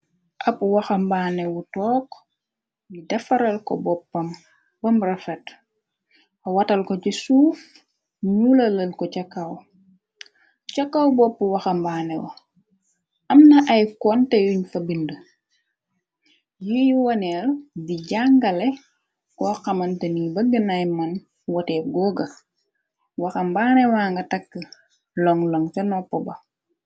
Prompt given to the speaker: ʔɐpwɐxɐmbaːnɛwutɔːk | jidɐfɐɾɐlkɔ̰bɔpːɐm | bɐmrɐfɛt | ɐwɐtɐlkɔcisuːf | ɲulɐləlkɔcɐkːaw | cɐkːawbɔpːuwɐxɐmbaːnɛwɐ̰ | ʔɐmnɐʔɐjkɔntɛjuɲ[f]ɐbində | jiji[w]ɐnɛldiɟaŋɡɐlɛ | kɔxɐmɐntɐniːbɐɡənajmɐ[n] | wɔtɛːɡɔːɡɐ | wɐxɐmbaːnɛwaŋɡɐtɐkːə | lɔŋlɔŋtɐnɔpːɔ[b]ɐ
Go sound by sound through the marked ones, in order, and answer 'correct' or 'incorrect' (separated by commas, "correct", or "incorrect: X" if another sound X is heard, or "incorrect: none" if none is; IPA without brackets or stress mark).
correct, correct, correct, correct